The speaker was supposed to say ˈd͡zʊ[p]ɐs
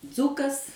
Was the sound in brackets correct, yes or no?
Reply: no